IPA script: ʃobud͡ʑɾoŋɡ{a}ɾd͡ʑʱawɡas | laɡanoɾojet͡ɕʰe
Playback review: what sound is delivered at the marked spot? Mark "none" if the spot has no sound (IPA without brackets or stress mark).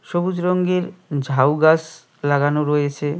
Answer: e